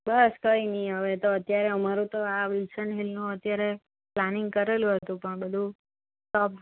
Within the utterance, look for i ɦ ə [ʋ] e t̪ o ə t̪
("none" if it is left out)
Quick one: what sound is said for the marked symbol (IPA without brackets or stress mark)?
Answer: ʋ